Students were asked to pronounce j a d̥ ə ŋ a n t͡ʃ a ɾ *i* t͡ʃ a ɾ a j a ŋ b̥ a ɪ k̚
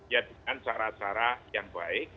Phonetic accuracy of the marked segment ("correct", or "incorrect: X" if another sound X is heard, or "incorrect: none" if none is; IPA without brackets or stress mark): incorrect: a